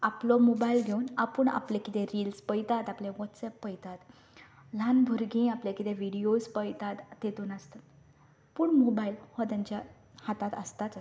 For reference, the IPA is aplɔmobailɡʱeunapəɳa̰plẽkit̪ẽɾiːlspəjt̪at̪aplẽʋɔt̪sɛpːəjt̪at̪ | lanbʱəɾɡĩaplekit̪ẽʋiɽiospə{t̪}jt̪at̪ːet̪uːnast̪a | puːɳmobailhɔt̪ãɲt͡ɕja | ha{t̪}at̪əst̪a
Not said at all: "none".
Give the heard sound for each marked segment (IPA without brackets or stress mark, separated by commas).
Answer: none, t̪